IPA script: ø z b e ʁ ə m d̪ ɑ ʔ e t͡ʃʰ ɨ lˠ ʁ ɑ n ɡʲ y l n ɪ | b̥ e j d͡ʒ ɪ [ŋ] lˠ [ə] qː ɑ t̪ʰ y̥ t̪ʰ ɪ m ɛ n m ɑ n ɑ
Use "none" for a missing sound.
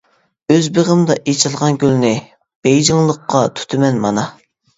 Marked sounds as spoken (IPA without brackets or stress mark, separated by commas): ŋ, ə